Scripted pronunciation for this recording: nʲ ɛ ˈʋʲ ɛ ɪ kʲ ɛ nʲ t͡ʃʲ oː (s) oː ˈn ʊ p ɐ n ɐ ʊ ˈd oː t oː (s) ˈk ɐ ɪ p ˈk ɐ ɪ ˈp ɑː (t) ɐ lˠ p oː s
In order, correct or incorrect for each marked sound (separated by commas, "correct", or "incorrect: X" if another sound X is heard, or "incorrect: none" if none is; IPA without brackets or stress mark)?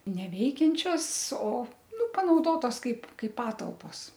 correct, correct, correct